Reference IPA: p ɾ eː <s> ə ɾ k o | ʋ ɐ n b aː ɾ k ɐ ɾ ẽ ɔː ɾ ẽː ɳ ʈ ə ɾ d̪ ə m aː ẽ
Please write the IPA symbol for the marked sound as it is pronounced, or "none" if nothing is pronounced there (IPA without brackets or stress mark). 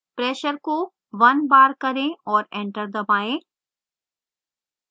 ʃ